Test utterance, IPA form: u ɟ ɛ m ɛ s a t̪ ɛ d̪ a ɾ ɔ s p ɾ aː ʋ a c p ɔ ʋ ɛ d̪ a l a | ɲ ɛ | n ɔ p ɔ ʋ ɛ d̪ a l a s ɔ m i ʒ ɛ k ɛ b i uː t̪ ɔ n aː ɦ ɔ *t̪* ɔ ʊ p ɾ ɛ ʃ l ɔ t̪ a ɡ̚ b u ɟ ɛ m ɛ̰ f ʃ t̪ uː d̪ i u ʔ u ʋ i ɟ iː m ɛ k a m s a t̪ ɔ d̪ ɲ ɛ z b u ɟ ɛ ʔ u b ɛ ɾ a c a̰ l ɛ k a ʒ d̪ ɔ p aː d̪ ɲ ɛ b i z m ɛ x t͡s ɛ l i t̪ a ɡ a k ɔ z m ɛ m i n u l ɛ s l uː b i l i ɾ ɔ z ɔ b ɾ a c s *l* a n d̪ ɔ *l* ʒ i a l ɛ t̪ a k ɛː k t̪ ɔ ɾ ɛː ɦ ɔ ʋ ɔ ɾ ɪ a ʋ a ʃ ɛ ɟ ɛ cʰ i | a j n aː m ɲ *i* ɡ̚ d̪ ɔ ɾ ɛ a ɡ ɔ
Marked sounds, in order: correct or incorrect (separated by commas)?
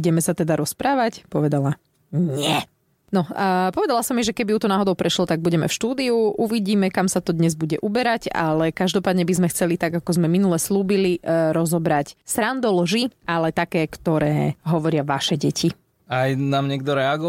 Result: incorrect, incorrect, correct, incorrect